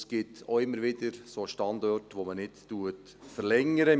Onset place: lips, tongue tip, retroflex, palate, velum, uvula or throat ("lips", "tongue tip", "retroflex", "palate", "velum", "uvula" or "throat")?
tongue tip